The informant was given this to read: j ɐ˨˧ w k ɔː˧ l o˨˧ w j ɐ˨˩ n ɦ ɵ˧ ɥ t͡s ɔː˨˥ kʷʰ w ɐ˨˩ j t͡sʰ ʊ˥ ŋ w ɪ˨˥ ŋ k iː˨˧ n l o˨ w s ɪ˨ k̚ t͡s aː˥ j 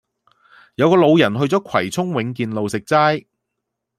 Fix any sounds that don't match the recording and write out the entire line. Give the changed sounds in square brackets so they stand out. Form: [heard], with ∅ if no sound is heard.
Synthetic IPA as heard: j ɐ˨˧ w k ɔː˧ l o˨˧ w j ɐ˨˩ n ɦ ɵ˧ ɥ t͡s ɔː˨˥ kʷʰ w ɐ˨˩ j t͡sʰ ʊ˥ ŋ w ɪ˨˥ ŋ k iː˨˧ n l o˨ w s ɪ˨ k̚ t͡s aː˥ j

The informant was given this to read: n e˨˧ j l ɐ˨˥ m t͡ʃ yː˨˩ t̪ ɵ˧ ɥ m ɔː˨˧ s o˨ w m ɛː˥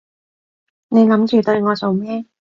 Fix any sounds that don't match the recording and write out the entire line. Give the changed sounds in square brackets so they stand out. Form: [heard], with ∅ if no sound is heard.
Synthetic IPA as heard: n e˨˧ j l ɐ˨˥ m t͡ʃ yː˨˩ t̪ ɵ˧ ɥ [ŋ] ɔː˨˧ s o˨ w m ɛː˥

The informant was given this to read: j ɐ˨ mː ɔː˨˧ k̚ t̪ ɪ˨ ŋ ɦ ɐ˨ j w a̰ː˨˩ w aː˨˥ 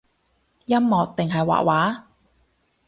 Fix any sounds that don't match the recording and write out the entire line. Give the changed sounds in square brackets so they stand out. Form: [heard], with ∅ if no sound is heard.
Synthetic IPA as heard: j [ɐ˥] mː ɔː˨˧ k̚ t̪ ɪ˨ ŋ ɦ ɐ˨ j w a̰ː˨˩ w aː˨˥

